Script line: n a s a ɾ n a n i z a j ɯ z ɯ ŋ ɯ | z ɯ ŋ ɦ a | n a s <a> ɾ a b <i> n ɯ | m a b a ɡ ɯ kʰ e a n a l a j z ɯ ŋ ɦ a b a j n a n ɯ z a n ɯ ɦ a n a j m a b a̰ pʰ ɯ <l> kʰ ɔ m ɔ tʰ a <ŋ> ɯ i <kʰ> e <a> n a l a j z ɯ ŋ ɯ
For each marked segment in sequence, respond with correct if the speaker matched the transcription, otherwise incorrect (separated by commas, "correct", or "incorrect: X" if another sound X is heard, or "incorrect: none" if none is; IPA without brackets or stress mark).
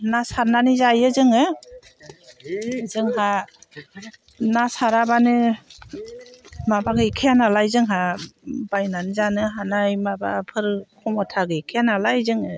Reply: correct, incorrect: a, incorrect: ɾ, incorrect: ɡ, correct, correct